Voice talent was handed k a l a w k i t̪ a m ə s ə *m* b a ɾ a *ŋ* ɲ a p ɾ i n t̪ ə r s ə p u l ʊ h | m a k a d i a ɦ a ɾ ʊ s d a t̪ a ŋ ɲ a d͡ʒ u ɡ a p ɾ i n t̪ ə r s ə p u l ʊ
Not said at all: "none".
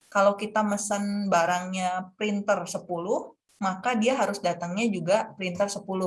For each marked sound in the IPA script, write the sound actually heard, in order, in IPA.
n, ŋ

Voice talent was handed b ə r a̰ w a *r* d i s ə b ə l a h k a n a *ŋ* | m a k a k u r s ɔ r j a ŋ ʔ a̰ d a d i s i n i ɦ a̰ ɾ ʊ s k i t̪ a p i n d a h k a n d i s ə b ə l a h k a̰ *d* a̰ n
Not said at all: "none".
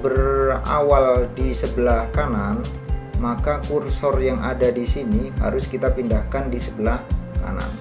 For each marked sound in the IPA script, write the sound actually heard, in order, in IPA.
l, n, n

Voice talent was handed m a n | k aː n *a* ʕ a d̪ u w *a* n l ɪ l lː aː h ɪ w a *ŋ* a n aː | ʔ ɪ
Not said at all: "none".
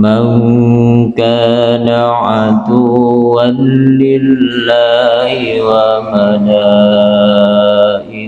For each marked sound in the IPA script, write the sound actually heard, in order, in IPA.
a, a, m

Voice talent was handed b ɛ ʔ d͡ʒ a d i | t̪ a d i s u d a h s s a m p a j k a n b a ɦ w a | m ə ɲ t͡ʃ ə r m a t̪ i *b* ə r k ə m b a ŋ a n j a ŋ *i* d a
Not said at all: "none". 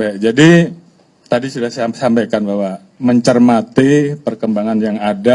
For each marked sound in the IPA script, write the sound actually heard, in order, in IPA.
p, a

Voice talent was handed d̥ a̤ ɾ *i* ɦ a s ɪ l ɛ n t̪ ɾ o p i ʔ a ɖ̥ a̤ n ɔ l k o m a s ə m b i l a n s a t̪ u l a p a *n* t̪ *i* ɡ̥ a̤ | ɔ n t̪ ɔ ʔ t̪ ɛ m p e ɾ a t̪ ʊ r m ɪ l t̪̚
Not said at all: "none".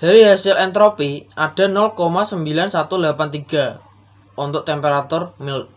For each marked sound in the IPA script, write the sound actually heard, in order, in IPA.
i, n, i

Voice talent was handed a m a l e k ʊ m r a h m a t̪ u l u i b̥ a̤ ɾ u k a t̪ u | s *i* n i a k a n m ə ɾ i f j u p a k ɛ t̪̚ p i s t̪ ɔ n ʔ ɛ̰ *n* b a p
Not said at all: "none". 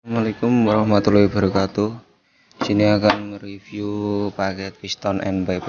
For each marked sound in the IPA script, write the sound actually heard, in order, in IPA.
i, n

